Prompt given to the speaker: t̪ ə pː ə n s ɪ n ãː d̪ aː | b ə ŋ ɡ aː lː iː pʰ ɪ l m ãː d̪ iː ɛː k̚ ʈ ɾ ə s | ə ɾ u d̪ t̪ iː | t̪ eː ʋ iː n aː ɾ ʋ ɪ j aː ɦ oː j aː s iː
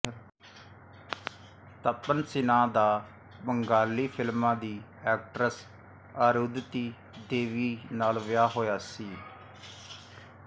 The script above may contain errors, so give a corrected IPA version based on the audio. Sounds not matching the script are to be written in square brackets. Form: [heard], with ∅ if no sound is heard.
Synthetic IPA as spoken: t̪ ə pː ə n s ɪ n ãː d̪ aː | b ə ŋ ɡ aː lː iː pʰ ɪ l m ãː d̪ iː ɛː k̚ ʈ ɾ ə s | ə ɾ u d̪ t̪ iː | [d̪] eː ʋ iː n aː [l] ʋ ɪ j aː ɦ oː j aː s iː